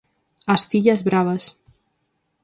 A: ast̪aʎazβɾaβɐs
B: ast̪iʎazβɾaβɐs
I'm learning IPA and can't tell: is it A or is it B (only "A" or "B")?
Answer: B